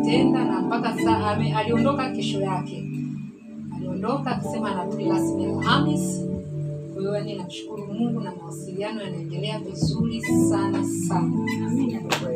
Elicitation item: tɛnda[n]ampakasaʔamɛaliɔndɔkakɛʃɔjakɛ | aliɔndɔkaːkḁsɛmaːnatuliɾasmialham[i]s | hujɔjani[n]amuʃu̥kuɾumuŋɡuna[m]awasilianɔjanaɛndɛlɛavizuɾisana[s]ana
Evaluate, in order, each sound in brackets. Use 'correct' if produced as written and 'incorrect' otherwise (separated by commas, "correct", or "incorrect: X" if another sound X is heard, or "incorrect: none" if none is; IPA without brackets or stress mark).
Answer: correct, correct, correct, correct, correct